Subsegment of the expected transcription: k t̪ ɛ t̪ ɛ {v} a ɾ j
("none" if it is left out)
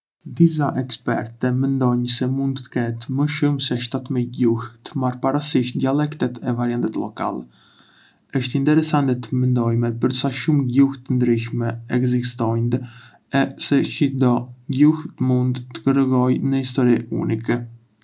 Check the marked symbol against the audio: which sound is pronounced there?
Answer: v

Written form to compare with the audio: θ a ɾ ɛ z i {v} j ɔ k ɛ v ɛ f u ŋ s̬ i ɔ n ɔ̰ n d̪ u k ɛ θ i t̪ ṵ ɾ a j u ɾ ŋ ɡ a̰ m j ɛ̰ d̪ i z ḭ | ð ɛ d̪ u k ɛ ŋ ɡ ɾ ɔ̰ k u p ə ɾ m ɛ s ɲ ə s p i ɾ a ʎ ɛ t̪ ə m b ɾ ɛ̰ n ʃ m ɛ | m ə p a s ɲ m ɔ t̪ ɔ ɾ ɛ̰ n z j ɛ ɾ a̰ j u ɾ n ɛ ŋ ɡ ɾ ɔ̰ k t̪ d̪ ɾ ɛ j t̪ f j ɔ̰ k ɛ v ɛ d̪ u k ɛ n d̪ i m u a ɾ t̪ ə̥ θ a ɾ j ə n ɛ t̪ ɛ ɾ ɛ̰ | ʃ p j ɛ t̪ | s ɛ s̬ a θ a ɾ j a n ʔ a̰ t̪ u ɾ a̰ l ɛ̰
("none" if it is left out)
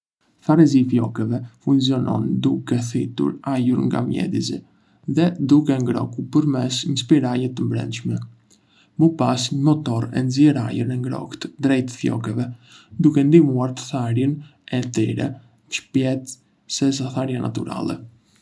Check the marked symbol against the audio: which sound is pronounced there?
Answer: f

